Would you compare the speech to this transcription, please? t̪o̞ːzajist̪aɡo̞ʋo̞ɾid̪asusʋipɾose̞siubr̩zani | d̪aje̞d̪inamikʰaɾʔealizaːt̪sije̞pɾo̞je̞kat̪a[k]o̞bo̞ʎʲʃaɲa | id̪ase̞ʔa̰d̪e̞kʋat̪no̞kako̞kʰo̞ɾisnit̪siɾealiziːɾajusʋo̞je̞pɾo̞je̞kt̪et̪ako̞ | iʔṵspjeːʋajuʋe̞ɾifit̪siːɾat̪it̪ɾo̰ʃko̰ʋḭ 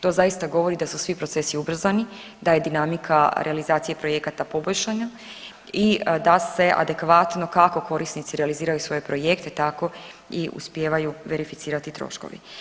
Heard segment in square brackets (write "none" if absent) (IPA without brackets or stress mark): p